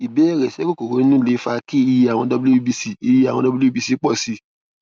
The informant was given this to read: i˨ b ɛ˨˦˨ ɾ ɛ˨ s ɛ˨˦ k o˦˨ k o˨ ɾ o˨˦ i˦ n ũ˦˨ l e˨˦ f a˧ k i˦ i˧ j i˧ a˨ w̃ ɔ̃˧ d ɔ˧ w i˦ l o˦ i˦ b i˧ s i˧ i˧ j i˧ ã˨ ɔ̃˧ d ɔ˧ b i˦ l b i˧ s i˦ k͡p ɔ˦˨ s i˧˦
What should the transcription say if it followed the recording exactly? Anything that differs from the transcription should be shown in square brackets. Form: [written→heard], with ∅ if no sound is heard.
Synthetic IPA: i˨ b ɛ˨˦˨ ɾ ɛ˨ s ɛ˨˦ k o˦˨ k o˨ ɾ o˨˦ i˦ n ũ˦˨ l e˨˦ f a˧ k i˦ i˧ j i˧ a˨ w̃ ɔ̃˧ d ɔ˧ [w→b] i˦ l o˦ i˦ b i˧ s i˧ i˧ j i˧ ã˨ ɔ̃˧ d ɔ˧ b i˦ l b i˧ s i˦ k͡p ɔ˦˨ s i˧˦